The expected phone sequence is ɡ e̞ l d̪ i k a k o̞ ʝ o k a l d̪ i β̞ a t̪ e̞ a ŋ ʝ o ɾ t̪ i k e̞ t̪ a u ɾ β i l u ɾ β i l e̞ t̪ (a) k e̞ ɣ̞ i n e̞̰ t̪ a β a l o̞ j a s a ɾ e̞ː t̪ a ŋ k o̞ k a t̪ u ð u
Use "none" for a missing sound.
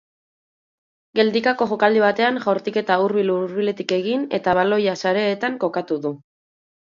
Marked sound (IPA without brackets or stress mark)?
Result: i